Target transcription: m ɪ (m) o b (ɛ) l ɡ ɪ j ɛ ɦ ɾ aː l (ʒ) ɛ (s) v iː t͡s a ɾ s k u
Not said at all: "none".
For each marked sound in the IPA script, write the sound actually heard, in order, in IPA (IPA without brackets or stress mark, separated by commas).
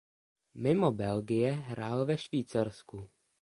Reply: m, ɛ, v, ʃ